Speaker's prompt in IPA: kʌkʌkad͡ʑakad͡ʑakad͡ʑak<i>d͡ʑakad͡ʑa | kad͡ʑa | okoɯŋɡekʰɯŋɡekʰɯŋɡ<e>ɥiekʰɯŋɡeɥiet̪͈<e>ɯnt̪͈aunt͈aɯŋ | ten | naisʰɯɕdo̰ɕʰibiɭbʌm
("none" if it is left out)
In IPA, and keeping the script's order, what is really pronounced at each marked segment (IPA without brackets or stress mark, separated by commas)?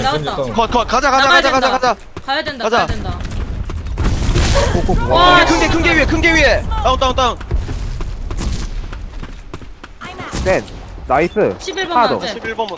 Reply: a, e, a